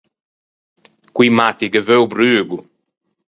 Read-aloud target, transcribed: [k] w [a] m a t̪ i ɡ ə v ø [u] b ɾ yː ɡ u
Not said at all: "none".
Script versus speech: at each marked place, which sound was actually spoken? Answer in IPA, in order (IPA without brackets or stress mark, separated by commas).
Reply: k, i, w